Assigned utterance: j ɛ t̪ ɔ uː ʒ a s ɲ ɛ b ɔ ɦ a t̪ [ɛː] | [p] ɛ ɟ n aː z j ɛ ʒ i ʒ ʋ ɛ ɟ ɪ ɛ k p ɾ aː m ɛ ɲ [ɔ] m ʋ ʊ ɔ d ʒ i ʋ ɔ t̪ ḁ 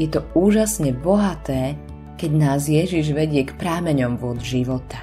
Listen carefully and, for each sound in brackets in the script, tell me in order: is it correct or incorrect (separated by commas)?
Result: correct, incorrect, correct